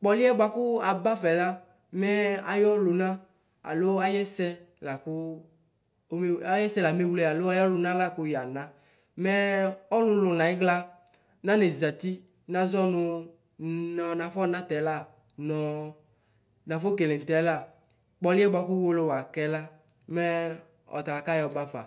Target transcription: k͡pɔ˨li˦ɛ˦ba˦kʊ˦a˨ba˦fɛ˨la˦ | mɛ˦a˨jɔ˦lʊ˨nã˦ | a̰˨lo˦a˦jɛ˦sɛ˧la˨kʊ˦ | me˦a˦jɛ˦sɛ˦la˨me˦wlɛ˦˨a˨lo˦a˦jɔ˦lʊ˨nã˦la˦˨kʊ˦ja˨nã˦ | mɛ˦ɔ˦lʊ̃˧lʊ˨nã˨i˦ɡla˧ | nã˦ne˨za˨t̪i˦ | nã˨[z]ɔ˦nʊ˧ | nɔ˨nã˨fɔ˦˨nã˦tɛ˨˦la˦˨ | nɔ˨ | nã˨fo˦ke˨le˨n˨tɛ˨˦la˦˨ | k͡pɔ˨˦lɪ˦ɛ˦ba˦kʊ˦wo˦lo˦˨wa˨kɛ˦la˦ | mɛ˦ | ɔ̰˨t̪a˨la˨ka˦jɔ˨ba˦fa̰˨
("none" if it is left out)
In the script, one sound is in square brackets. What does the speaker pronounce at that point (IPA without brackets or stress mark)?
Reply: z